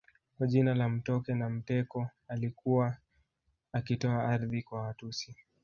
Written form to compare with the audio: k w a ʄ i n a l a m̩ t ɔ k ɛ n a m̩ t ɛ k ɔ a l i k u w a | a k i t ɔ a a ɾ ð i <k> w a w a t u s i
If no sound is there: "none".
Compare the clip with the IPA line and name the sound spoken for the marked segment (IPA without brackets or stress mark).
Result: k